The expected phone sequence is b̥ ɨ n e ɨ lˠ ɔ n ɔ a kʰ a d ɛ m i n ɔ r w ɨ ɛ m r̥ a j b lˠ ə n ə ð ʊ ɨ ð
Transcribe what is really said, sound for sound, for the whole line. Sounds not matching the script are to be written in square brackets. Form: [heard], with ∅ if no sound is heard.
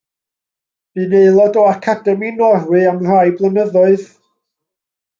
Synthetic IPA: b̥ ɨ n e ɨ lˠ ɔ [d] ɔ a kʰ a d ɛ m i n ɔ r w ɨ [a] m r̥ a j b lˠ ə n ə ð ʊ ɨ ð